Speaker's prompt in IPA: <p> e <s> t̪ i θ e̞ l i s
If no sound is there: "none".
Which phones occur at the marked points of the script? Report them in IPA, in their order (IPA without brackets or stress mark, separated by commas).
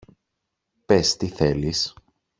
p, s